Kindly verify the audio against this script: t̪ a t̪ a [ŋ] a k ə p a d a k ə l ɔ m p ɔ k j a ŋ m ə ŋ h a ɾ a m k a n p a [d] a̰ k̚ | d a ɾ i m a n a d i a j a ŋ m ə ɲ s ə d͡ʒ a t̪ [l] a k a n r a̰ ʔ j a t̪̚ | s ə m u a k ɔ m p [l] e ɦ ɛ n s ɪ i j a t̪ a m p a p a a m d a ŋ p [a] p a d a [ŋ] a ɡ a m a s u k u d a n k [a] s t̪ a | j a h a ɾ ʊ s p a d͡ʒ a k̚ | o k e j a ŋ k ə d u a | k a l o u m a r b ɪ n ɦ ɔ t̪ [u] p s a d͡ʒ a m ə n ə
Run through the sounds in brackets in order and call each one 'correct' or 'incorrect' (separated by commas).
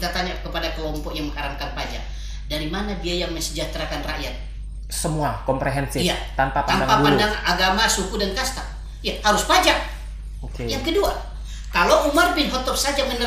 incorrect, incorrect, incorrect, incorrect, correct, correct, correct, incorrect